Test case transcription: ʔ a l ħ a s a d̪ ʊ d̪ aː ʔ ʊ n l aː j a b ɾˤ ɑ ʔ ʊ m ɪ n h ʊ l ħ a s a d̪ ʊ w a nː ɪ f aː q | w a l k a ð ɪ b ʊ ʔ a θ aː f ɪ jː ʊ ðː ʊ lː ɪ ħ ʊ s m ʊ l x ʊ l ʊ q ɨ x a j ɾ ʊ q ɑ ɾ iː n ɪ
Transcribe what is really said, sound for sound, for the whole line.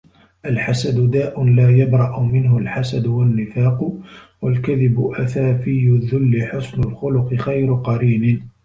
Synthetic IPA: ʔ a l ħ a s a d̪ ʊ d̪ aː ʔ ʊ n l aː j a b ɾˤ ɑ ʔ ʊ m ɪ n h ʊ l ħ a s a d̪ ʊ w a nː ɪ f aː q | w a l k a ð ɪ b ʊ ʔ a θ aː f ɪ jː ʊ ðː ʊ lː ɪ ħ ʊ s n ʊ l x ʊ l ʊ q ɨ x a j ɾ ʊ q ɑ ɾ iː n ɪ